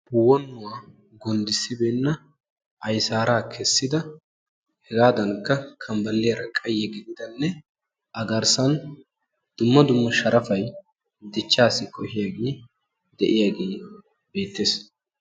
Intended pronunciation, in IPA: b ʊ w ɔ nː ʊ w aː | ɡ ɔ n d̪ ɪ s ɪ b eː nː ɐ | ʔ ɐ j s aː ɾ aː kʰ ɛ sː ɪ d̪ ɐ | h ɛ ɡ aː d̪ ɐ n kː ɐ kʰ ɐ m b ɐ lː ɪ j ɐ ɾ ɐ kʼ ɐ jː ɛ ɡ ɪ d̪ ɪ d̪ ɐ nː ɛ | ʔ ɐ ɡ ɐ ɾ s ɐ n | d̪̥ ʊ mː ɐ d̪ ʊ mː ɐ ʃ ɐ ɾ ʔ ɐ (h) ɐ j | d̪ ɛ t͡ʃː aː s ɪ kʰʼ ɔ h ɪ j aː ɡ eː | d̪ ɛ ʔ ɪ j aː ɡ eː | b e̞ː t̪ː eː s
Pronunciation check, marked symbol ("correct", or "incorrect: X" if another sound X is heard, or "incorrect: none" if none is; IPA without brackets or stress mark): incorrect: f